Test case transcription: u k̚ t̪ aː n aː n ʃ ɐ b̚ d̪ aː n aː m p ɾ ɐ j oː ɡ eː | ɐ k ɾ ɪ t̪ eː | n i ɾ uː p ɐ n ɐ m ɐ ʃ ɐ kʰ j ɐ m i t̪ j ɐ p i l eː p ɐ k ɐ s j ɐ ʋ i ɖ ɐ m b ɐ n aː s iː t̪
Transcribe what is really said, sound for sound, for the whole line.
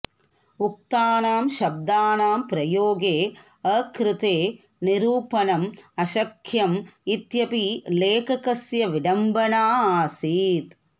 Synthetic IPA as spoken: u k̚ t̪ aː n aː m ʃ ɐ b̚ d̪ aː n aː m p ɾ ɐ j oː ɡ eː | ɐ k ɾ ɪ t̪ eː | n i ɾ uː p ɐ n ɐ m ɐ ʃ ɐ kʰ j ɐ m i t̪ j ɐ p i l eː k ɐ k ɐ s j ɐ ʋ i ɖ ɐ m b ɐ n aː s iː t̪